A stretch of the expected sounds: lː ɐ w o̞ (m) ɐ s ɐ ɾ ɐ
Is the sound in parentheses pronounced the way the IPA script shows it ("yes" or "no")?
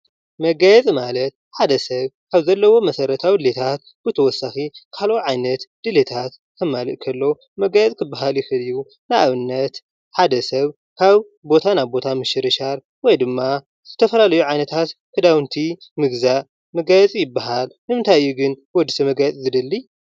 yes